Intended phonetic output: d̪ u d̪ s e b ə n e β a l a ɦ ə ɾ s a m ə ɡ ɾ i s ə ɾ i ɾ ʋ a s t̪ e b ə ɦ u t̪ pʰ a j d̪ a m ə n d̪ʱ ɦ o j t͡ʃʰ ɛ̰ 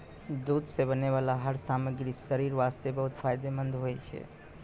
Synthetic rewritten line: d̪ u d̪ s e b ə n e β a l a ɦ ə ɾ s a m ə ɡ ɾ i s ə ɾ i ɾ ʋ a s t̪ e b ə ɦ u t̪ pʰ a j d̪ e m ə n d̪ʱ ɦ o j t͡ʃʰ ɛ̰

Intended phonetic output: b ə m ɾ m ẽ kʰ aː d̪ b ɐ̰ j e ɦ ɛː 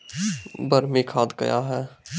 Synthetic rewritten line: b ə ɾ m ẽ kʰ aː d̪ ɡ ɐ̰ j a ɦ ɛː

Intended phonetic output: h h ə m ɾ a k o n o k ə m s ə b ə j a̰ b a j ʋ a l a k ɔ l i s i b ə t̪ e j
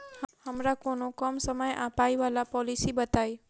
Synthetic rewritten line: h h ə m ɾ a k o n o k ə m s ə m ə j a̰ p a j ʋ a l a p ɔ l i s i b ə t̪ a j

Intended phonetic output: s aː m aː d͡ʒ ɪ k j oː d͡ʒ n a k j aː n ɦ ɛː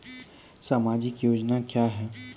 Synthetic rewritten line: s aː m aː d͡ʒ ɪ k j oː d͡ʒ n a k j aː ɦ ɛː

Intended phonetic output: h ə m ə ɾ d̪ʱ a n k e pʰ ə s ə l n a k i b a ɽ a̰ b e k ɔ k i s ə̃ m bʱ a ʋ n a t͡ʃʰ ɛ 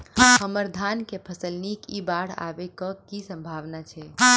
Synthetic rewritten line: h ə m ə ɾ d̪ʱ a n k e pʰ ə s ə l n i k i b a ɽ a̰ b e k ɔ k i s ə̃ m bʱ a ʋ n a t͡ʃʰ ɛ

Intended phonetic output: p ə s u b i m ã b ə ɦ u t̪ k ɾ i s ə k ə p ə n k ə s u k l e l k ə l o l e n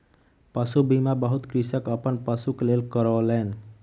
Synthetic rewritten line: p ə s u b i m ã b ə ɦ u t̪ k ɾ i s ə k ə p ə n p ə s u k l e l k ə ɾ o l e n

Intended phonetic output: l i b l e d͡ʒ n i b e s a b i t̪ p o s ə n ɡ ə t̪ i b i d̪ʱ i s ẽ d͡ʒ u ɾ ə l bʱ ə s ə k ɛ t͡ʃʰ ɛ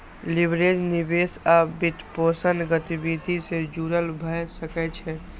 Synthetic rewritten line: l i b ɾ e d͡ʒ n i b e s a b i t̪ p o s ə n ɡ ə t̪ i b i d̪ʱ i s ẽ d͡ʒ u ɾ ə l bʱ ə s ə k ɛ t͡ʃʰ ɛ

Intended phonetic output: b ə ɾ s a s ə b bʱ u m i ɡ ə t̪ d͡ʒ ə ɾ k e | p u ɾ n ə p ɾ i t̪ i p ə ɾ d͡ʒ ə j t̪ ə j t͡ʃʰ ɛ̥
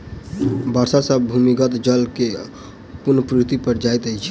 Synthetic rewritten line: b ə ɾ s a s ə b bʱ u m i ɡ ə t̪ d͡ʒ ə l k e | p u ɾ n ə p ɾ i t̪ i p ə ɾ d͡ʒ a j t̪ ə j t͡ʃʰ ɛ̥

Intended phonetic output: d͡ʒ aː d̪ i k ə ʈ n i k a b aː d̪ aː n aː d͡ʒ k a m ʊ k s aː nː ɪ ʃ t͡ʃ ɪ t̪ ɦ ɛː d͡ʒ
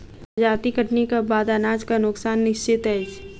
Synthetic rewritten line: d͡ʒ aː t̪ i k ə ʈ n i k a b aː d̪ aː n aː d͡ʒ k a n ʊ k s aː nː ɪ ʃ t͡ʃ ɪ t̪ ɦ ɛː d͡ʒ

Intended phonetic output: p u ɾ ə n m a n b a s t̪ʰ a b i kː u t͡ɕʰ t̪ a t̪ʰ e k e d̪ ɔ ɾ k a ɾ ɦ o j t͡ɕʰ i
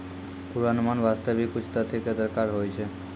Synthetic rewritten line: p u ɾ a n m a n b a s t̪ a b i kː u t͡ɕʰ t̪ a t̪ʰ e k e d̪ ɔ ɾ k a ɾ ɦ o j t͡ɕʰ e

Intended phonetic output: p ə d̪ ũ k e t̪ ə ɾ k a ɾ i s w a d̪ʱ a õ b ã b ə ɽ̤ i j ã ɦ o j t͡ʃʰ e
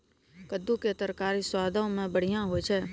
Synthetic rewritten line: k ə d̪ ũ k e t̪ ə ɾ k a ɾ i s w a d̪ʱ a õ m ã b ə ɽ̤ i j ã ɦ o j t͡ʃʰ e

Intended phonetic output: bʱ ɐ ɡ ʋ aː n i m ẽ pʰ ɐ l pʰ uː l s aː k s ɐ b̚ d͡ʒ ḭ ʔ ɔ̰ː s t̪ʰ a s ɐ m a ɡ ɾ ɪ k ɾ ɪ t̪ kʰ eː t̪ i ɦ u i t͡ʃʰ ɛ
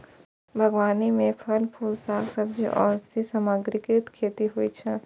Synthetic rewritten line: bʱ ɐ ɡ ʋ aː n i m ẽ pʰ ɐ l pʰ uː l s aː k s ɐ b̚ d͡ʒ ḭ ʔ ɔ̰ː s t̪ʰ i s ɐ m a ɡ ɾ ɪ k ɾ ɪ t̪ kʰ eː t̪ i ɦ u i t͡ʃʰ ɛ

